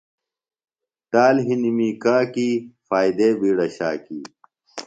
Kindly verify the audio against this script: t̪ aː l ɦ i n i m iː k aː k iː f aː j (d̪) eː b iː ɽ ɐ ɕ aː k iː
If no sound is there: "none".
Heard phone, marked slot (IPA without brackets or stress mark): d̪